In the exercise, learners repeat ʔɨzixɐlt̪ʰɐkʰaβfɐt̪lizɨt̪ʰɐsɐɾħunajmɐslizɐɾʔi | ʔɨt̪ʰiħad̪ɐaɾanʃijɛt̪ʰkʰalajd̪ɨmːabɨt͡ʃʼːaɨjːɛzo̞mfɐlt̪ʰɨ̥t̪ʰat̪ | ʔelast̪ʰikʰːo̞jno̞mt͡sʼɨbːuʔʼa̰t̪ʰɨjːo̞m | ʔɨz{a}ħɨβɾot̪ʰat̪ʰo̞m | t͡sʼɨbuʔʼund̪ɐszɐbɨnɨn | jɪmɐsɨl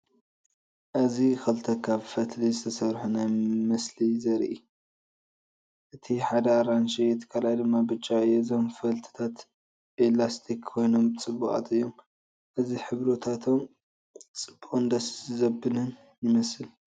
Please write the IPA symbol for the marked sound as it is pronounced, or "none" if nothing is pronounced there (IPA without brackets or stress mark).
i